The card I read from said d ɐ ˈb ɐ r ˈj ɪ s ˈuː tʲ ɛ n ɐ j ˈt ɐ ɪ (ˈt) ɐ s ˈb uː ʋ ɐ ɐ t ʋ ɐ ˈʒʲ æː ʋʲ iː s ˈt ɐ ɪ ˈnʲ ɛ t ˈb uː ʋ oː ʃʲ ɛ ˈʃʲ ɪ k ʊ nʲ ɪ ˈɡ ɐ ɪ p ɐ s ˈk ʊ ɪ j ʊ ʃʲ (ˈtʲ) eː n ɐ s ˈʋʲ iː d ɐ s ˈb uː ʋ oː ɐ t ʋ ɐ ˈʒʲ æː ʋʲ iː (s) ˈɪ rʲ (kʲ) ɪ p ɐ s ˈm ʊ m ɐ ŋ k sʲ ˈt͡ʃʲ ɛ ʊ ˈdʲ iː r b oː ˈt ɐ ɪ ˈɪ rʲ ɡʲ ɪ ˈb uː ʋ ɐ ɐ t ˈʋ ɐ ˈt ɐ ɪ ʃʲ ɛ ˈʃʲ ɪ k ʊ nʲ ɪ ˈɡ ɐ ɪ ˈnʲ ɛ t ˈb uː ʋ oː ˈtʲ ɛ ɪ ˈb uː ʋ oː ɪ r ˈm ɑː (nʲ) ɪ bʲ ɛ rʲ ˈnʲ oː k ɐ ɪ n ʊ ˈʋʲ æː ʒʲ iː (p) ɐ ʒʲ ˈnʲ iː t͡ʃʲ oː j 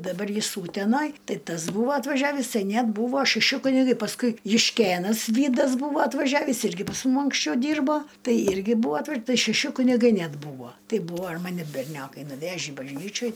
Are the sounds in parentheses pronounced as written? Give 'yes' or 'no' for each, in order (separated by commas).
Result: yes, no, yes, no, yes, no